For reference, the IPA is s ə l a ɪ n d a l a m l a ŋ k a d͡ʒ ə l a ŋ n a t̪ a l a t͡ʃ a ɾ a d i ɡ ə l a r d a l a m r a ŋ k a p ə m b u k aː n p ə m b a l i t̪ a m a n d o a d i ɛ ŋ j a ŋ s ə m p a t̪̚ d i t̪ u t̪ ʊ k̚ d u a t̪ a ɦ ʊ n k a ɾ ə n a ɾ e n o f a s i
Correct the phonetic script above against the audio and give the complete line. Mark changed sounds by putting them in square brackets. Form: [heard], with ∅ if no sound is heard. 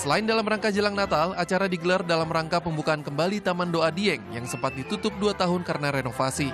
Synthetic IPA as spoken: s ə l a ɪ n d a l a m [r] a ŋ k a d͡ʒ ə l a ŋ n a t̪ a l a t͡ʃ a ɾ a d i ɡ ə l a r d a l a m r a ŋ k a p ə m b u k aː n [k] ə m b a l i t̪ a m a n d o a d i ɛ ŋ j a ŋ s ə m p a t̪̚ d i t̪ u t̪ ʊ [p̚] d u a t̪ a ɦ ʊ n k a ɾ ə n a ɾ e n o f a s i

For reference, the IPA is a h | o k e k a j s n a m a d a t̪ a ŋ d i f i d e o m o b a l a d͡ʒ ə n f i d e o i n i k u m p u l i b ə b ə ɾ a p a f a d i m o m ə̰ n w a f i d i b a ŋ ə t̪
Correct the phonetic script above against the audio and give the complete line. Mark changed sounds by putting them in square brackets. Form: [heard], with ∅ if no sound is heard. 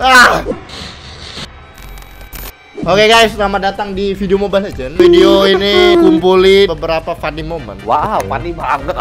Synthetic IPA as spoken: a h | o k e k a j s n a m a d a t̪ a ŋ d i f i d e o m o b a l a d͡ʒ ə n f i d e o i n i k u m p u l i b ə b ə ɾ a p a f a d i m o m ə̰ n w a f [a] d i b a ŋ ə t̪

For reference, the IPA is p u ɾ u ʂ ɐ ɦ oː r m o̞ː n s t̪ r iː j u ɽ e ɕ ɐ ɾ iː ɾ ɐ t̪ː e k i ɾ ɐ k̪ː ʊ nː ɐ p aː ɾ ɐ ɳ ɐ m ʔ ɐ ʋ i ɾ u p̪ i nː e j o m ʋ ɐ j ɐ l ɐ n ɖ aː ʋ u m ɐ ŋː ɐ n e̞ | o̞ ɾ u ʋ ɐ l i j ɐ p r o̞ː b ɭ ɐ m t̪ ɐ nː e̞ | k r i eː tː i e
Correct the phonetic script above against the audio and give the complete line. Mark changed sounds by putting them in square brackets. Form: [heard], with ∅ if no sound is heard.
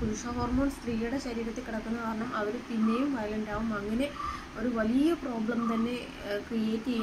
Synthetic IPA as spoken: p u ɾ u ʂ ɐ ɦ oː r m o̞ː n s t̪ r iː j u ɽ e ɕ ɐ ɾ iː ɾ ɐ t̪ː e k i [ɽ] ɐ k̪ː [u] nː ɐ [k] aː ɾ ɐ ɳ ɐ m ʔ ɐ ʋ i ɾ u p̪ i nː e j [u] m ʋ ɐ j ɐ l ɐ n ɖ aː ʋ u m ɐ ŋː ɐ n e̞ | o̞ ɾ u ʋ ɐ l i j ɐ p r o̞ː b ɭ ɐ m t̪ ɐ nː e̞ | k r i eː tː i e

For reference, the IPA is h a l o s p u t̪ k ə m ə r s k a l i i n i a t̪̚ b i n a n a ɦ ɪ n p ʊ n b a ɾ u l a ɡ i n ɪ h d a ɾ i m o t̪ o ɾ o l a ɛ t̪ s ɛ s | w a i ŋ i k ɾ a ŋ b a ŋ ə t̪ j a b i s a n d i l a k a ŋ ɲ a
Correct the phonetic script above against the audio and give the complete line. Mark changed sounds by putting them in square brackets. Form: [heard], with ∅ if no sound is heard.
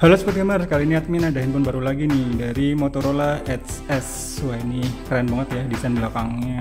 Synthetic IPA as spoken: h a l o s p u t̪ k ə m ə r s k a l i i n i a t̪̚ [m] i n a [d] a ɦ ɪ n p ʊ n b a ɾ u l a ɡ i n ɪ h d a ɾ i m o t̪ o ɾ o l a ɛ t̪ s ɛ s | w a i [n] i k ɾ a [n] b a ŋ ə t̪ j a [d] i s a n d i l a k a ŋ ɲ a

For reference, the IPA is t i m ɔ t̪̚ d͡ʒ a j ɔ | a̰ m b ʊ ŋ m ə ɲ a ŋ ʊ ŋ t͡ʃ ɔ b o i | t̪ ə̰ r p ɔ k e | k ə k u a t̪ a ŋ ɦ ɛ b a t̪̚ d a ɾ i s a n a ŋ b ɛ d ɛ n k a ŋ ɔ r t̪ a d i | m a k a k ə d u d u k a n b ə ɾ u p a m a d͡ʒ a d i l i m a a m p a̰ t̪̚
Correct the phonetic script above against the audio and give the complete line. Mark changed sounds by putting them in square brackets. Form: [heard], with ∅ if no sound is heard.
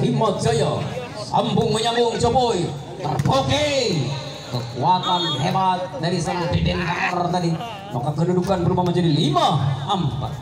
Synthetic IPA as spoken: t i m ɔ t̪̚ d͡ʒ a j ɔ | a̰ m b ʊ ŋ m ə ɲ a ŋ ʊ ŋ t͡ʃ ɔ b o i | t̪ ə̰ r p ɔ k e | k ə k u a t̪ a [n] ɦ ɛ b a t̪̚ d a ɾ i s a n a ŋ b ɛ d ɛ n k a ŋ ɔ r t̪ a d i | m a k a k ə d u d u k a n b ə ɾ u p a m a d͡ʒ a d i l i m a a m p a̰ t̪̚

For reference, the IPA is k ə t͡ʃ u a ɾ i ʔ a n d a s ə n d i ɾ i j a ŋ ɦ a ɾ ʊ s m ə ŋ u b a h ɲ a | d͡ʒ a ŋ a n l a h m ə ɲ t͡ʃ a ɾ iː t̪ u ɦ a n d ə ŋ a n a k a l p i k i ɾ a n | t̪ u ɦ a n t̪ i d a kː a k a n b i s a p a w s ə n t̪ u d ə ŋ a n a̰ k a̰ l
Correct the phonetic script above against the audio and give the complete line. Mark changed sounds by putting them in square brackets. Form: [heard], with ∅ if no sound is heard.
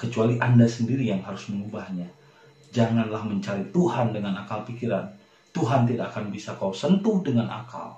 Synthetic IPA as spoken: k ə t͡ʃ u a [l] i ʔ a n d a s ə n d i ɾ i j a ŋ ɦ a ɾ ʊ s m ə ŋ u b a h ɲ a | d͡ʒ a ŋ a n l a h m ə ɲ t͡ʃ a ɾ [i] t̪ u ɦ a n d ə ŋ a n a k a l p i k i ɾ a n | t̪ u ɦ a n t̪ i d a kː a k a n b i s a [k] a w s ə n t̪ u d ə ŋ a n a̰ k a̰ l

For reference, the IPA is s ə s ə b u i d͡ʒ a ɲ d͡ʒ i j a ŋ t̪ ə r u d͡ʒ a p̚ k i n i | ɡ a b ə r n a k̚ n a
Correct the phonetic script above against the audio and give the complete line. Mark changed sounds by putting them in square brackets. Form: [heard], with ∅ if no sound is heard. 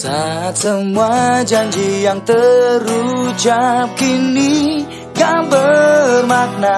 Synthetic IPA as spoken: s [a] s ə [m] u [a] d͡ʒ a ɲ d͡ʒ i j a ŋ t̪ ə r u d͡ʒ a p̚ k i n i | ɡ a b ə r [m] a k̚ n a

